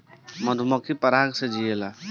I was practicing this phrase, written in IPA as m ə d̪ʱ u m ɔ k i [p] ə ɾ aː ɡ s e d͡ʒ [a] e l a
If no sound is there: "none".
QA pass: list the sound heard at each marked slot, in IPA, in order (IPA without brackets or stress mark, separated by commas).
p, i